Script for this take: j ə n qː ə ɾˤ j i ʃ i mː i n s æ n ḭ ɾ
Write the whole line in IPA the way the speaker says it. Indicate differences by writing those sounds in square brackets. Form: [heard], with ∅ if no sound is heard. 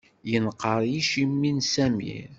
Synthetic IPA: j ə n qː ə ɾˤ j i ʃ i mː i n s æ [m] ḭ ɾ